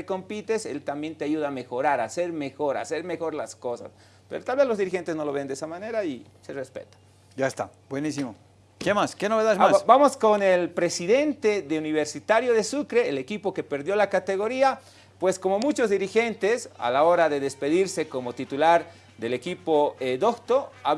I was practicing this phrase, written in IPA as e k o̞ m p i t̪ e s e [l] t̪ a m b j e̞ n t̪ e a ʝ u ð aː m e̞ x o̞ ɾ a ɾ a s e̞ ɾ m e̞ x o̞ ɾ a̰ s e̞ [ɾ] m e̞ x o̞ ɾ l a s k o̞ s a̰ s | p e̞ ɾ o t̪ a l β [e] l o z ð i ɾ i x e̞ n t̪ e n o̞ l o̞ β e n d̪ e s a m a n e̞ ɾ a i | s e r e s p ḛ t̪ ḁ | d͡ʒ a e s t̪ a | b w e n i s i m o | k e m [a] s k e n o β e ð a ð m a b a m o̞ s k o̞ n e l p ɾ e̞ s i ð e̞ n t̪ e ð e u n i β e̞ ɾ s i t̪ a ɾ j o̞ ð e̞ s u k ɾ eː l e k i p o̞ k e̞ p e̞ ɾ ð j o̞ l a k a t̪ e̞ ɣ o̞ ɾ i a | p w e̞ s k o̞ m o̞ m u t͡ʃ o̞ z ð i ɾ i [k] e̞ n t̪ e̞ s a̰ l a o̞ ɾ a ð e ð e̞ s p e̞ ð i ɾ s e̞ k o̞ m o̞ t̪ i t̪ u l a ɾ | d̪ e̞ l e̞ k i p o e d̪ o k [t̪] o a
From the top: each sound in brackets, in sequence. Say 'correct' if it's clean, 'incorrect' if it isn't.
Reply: correct, correct, correct, correct, incorrect: x, correct

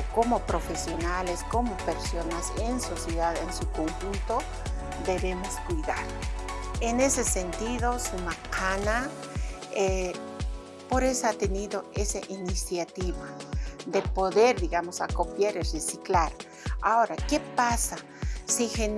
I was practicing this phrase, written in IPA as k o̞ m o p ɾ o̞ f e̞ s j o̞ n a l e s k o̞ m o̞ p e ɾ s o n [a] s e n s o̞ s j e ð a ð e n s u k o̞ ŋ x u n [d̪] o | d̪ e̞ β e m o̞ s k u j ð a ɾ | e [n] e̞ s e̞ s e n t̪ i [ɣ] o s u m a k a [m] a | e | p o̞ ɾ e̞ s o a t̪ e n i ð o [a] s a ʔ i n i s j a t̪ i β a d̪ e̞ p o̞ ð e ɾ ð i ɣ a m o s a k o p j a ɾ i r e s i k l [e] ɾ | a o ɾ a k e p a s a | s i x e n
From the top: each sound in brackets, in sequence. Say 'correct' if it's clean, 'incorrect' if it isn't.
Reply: correct, incorrect: t̪, correct, incorrect: ð, incorrect: n, incorrect: e, incorrect: a

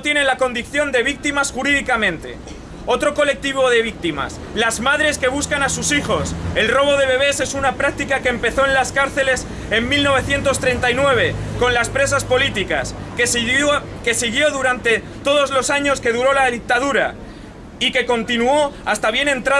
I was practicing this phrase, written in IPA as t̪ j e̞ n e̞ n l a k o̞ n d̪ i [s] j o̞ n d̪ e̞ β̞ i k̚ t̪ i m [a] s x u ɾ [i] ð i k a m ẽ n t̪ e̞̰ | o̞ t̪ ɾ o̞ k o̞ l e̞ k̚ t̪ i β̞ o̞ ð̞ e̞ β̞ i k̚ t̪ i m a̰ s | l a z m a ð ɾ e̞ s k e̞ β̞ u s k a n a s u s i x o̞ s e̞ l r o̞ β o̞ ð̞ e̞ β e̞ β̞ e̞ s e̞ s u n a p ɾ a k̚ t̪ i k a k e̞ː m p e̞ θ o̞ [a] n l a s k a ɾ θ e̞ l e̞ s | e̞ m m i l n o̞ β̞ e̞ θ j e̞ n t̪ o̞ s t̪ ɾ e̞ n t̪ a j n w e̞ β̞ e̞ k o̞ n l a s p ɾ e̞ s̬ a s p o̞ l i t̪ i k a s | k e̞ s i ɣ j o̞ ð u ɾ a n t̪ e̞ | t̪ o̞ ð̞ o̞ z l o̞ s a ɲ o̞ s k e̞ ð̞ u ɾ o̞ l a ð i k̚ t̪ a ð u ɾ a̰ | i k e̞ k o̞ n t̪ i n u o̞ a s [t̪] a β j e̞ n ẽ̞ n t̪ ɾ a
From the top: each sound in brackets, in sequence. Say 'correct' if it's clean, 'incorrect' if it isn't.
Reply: incorrect: θ, correct, correct, incorrect: e, correct

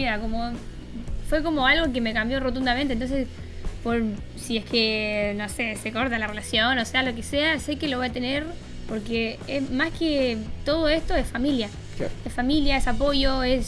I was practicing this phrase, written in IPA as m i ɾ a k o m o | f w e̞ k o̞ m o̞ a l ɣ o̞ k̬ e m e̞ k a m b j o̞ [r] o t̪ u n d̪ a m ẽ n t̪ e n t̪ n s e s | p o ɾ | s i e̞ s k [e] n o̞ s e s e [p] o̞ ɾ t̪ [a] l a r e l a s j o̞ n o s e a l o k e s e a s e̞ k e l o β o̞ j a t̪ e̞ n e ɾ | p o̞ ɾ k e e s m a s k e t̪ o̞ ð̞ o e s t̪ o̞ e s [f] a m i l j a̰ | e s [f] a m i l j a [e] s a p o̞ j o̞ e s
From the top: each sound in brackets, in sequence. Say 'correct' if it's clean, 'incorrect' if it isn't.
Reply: correct, correct, incorrect: k, correct, correct, correct, correct

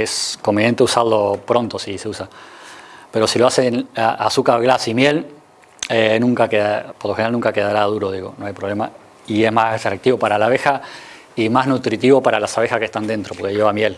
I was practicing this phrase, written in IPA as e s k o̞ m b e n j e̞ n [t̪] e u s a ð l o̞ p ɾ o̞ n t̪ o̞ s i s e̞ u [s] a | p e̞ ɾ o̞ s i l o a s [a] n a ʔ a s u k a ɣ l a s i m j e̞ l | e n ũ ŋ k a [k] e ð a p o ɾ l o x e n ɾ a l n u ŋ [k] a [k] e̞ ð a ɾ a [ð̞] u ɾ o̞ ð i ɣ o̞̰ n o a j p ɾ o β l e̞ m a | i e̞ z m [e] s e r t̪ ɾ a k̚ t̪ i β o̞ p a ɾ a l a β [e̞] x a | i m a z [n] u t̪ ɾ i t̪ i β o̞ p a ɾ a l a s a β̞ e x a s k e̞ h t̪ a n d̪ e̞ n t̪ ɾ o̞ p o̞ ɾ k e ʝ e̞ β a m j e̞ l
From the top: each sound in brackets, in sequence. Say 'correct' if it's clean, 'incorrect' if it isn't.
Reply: correct, correct, incorrect: e, correct, correct, correct, correct, incorrect: a, correct, correct

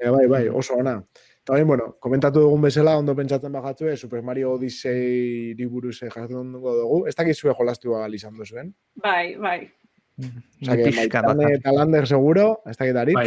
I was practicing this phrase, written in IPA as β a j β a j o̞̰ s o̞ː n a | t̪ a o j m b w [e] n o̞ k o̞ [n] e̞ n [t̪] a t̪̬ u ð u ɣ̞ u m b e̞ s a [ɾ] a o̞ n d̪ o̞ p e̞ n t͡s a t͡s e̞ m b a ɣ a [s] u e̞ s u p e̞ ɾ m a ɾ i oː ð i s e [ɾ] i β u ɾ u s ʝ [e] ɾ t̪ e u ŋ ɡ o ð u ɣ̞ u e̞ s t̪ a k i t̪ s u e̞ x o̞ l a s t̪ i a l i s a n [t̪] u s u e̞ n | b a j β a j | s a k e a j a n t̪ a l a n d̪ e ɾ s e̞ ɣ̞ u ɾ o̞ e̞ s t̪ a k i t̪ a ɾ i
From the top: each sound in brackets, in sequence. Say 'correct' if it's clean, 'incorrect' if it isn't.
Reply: correct, incorrect: m, correct, incorrect: l, incorrect: t͡s, correct, incorrect: a, incorrect: d̪

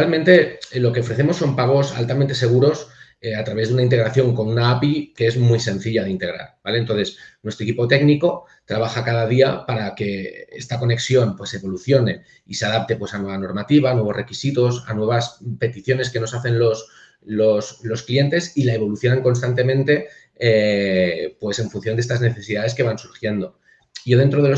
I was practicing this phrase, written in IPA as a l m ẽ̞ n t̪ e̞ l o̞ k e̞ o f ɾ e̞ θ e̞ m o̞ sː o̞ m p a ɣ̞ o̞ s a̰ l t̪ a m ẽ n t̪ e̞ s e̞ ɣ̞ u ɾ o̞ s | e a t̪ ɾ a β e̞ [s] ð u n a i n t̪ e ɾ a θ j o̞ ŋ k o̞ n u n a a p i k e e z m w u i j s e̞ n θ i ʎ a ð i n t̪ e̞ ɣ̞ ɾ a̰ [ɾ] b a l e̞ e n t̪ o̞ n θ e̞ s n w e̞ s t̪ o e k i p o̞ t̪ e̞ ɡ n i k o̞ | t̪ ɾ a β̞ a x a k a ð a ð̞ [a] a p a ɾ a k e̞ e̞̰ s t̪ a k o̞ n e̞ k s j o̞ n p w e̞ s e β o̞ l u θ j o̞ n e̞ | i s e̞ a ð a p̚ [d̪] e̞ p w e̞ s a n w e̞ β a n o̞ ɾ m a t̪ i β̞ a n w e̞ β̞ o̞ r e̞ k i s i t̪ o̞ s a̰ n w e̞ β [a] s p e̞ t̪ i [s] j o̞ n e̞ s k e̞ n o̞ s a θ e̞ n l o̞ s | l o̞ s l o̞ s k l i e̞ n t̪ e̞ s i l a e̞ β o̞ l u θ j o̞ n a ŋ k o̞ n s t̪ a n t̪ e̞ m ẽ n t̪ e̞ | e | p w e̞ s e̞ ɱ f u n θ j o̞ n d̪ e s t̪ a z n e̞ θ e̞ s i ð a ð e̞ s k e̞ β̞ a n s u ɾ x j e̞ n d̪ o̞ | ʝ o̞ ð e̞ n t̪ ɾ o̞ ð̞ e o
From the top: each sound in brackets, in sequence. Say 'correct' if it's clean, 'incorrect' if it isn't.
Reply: incorrect: z, correct, incorrect: i, incorrect: t̪, correct, incorrect: θ

